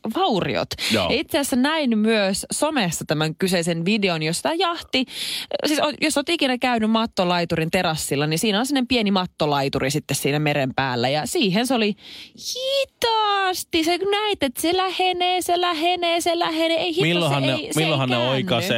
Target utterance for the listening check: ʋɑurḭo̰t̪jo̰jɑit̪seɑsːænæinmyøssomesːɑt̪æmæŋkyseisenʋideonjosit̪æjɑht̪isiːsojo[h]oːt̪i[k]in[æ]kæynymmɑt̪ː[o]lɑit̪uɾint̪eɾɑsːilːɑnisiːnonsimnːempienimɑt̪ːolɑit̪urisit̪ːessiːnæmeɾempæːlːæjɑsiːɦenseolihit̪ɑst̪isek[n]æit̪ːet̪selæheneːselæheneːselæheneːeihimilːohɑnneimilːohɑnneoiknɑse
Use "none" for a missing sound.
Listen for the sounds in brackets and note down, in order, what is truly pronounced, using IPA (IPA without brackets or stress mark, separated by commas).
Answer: s, k, æ, o, n